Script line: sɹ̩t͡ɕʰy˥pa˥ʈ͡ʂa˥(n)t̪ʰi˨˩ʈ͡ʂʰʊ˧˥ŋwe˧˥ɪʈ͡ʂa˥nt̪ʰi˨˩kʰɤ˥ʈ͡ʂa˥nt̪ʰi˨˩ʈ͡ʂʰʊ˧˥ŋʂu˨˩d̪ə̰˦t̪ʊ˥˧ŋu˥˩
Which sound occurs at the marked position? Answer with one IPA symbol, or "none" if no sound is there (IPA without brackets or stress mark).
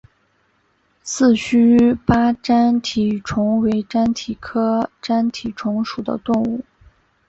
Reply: n